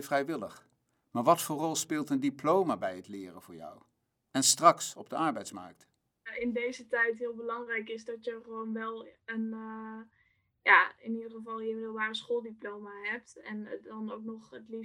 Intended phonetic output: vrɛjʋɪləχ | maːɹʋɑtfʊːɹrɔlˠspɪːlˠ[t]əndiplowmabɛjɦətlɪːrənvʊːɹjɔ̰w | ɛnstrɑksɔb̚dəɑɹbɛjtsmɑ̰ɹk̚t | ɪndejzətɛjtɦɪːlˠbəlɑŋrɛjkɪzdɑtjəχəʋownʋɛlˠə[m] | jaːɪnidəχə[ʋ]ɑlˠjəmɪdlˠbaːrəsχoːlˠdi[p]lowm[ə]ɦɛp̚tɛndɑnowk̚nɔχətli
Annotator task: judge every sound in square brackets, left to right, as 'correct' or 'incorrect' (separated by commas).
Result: correct, incorrect, incorrect, correct, incorrect